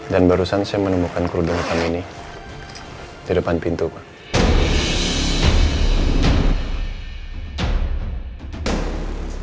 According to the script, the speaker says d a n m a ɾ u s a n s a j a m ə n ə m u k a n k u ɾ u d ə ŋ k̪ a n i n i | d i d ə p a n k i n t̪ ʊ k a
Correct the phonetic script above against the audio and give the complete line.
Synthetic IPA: d a n b a ɾ u s a n s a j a m ə n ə m u k a n k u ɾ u d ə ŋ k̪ a m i n i | d i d ə p a n p i n t̪ u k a